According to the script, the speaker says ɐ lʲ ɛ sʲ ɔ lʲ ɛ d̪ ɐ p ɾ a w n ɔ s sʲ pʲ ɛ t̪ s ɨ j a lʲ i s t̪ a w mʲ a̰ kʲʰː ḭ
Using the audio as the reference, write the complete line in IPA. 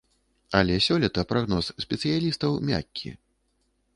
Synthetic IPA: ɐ lʲ ɛ sʲ ɔ lʲ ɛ t̪ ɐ p ɾ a ɣ n ɔ s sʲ pʲ ɛ t̪ s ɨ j a lʲ i s t̪ ɐ w mʲ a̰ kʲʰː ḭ